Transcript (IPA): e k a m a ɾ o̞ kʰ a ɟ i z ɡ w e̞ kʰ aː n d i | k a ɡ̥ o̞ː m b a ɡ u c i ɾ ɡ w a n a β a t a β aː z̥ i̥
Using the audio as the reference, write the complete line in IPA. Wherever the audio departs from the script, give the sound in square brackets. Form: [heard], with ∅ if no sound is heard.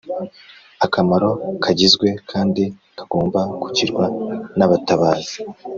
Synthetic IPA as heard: [a] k a m a ɾ o̞ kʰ a ɟ i z ɡ w e̞ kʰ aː n d i | k a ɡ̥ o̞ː m b a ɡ u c i ɾ ɡ w a n a β a t a β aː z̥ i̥